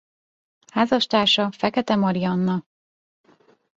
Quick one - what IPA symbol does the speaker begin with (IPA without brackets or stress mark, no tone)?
h